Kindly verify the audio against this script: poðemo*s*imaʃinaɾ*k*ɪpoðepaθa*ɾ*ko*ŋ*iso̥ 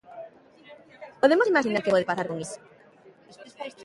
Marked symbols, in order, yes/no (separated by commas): yes, yes, yes, yes